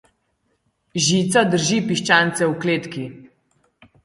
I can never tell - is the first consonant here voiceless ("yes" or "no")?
no